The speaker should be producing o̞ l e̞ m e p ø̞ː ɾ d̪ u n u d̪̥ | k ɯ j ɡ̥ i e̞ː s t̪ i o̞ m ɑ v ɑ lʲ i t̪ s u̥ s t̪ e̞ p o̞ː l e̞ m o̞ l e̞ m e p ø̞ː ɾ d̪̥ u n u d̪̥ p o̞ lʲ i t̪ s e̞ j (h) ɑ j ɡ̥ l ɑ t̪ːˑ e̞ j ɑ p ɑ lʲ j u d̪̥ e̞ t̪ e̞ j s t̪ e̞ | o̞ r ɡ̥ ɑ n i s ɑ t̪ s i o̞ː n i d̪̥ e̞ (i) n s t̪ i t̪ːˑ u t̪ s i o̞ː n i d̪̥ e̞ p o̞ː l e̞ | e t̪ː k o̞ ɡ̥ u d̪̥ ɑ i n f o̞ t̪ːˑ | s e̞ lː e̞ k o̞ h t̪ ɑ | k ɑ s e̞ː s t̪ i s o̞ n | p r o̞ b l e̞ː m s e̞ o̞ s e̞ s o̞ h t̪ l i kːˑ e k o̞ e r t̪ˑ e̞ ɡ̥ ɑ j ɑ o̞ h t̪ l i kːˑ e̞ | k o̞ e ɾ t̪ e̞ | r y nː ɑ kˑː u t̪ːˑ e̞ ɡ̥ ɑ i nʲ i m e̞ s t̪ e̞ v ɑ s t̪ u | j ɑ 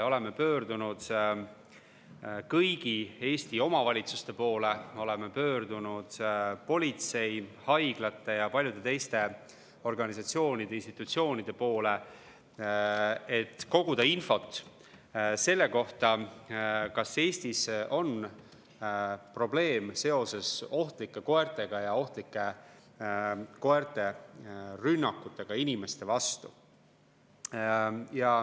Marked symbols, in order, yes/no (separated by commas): yes, yes